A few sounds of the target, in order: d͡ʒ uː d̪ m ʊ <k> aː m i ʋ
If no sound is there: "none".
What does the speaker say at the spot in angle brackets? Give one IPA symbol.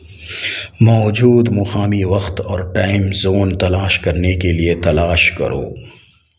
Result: x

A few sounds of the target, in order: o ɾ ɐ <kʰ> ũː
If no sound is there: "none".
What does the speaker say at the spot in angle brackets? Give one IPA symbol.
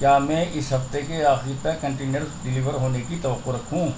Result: kʰ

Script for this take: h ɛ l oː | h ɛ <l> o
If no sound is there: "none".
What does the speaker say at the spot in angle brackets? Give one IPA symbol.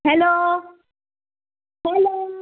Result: l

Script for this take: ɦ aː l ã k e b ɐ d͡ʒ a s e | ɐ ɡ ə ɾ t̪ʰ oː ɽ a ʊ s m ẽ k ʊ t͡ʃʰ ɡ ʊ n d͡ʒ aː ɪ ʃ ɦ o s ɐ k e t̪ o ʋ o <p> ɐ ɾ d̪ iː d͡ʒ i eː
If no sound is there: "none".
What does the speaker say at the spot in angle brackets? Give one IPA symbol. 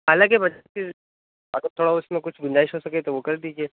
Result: k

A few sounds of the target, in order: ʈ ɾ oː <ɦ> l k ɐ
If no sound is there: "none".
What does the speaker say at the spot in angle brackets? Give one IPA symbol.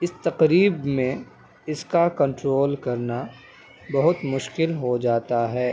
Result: none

